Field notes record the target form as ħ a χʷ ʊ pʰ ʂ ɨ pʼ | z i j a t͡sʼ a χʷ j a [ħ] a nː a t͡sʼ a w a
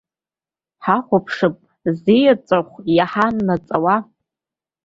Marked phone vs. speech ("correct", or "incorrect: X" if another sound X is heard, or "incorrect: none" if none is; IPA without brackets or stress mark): correct